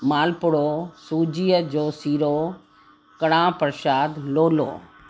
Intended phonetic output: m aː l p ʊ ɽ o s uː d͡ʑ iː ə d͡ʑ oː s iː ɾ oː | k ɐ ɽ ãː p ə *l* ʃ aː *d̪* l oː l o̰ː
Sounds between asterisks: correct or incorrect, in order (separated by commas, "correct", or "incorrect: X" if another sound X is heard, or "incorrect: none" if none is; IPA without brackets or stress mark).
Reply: incorrect: ɾ, correct